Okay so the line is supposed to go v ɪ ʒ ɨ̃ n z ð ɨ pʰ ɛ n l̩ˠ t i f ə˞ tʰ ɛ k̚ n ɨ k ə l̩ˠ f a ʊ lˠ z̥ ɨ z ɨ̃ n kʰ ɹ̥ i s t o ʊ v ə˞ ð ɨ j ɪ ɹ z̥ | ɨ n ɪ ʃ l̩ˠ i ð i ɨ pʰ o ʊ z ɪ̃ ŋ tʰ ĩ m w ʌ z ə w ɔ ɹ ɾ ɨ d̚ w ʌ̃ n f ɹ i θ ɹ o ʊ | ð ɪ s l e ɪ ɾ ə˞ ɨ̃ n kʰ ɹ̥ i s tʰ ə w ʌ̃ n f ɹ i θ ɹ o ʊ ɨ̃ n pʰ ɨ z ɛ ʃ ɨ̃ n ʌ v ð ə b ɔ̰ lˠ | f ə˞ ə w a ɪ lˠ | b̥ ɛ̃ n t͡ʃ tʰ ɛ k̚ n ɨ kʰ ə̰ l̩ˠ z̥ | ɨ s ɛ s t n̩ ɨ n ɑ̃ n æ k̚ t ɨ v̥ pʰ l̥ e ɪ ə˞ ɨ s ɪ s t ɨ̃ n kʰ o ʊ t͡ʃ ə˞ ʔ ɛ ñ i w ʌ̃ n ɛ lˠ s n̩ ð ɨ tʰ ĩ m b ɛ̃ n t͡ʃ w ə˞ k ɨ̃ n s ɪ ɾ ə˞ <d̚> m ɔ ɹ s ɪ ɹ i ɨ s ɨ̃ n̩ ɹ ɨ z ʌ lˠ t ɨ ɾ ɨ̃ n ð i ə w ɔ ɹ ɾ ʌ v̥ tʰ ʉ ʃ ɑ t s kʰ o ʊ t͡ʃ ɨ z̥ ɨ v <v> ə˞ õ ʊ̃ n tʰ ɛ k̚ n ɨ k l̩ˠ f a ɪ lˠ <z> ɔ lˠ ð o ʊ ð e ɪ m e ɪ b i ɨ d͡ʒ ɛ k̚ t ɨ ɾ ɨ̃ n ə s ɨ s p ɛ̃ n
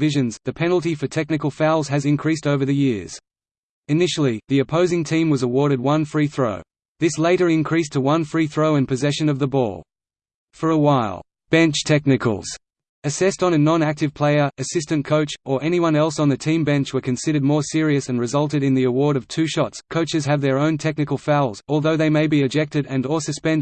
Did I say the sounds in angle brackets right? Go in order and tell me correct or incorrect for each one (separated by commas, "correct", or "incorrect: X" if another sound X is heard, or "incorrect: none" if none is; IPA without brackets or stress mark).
correct, incorrect: ð, correct